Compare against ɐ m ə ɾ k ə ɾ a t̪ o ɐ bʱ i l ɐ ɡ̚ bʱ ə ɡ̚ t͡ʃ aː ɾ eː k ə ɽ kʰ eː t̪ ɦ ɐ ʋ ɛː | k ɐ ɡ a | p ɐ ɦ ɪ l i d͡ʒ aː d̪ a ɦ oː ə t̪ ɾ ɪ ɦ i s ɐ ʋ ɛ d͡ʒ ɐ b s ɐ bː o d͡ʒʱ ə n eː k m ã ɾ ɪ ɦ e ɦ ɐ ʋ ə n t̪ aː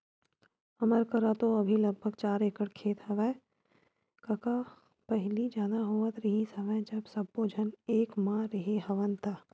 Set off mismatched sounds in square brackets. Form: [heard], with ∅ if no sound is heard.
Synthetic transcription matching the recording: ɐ m ə ɾ k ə ɾ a t̪ o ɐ bʱ i l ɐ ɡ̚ bʱ ə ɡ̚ t͡ʃ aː ɾ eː k ə ɽ kʰ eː t̪ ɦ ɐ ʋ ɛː | k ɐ [k] a | p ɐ ɦ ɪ l i d͡ʒ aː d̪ a ɦ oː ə t̪ ɾ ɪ ɦ i s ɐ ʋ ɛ d͡ʒ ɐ b s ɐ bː o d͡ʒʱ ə n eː k m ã ɾ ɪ ɦ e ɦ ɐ ʋ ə n t̪ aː